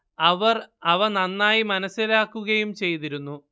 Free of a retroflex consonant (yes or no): yes